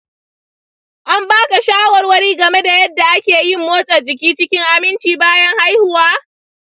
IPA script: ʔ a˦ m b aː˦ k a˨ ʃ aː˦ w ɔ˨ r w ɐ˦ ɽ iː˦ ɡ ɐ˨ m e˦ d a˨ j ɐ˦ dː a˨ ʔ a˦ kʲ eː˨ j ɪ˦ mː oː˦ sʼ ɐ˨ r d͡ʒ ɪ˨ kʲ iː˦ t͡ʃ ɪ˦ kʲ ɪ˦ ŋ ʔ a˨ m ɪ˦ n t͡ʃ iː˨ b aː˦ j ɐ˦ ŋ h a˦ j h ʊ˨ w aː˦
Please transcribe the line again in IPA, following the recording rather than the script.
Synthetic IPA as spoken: ʔ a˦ m b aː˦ k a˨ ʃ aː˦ w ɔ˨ r w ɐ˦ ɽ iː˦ ɡ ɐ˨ m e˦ d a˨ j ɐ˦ dː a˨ ʔ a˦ kʲ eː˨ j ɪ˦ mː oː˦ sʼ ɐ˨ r d͡ʒ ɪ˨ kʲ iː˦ t͡ʃ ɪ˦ kʲ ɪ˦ ŋ ʔ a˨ m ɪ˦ n t͡ʃ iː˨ b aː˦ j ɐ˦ ŋ h a˦ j h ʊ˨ w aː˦